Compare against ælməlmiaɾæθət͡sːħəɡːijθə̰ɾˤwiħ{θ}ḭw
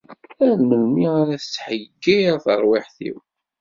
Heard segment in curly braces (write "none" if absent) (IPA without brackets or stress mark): θ